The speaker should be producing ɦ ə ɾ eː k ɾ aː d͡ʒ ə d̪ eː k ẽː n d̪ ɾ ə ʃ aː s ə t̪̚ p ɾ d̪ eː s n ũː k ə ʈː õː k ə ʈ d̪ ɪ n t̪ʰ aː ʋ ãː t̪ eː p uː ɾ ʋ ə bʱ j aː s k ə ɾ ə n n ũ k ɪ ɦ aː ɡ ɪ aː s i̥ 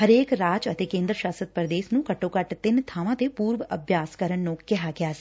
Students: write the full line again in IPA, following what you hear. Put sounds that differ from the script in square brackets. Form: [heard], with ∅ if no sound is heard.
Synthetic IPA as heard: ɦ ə ɾ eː k ɾ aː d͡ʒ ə [t̪] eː k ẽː n d̪ ɾ ə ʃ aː s ə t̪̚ p ɾ d̪ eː s n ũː k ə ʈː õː k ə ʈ [t̪] ɪ n t̪ʰ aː ʋ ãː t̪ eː p uː ɾ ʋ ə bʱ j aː s k ə ɾ ə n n ũ k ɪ ɦ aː ɡ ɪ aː s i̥